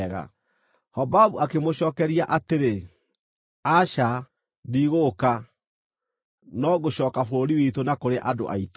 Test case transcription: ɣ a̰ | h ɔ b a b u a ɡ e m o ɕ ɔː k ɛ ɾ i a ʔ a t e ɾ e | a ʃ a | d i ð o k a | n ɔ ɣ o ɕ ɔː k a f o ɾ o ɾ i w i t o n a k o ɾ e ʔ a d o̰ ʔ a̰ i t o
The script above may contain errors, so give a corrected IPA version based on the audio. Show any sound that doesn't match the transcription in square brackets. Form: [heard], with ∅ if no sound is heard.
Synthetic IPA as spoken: ɣ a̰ | h ɔ b a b u a [k] e m o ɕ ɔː k ɛ ɾ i a ʔ a t e ɾ e | a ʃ a | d i [ɣ] o k a | n ɔ ɣ o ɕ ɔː k a f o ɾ o ɾ i w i t o n a k o ɾ e ʔ a d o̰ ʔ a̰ i t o